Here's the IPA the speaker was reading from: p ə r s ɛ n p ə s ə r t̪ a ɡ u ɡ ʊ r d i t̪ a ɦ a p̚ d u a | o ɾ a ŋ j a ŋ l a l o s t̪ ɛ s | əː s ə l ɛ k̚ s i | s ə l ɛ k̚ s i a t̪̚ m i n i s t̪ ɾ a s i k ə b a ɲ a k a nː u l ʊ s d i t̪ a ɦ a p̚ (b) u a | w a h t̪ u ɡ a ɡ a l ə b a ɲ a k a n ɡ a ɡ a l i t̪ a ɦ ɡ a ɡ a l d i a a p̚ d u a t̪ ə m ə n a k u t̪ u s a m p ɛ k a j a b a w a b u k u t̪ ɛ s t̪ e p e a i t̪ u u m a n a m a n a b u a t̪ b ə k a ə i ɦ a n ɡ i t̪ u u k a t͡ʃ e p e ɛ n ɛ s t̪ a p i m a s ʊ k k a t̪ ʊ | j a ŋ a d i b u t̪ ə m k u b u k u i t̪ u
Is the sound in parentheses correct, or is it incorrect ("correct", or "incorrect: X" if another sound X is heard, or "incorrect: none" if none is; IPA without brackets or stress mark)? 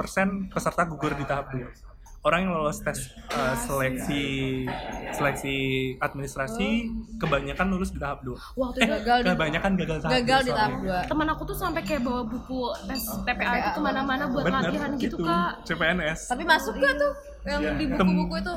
incorrect: d